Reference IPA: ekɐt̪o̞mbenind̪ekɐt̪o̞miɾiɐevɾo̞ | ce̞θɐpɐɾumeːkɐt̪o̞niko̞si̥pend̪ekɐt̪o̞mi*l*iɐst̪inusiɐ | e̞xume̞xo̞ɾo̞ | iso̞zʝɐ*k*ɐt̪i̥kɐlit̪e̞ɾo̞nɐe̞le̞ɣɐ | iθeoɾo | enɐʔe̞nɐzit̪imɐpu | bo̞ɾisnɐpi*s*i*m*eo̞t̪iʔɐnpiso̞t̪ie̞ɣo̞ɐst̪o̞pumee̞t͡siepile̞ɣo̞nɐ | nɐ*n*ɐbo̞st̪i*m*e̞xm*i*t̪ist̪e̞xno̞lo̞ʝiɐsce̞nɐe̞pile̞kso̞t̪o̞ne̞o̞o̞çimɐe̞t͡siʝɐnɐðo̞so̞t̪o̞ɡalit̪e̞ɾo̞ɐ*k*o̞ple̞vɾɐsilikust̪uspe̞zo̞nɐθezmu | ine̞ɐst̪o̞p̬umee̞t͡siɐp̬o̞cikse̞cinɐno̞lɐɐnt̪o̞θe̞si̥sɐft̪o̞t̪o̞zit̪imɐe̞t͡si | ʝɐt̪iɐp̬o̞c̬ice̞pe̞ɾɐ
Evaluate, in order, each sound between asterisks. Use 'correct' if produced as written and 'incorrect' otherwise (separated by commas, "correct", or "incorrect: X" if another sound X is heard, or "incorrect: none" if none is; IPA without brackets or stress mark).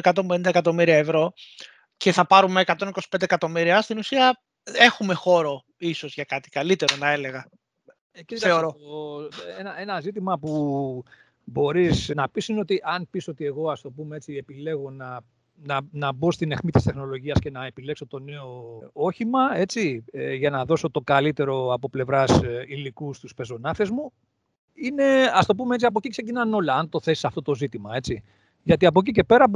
incorrect: ɾ, correct, correct, incorrect: n, correct, incorrect: n, correct, incorrect: p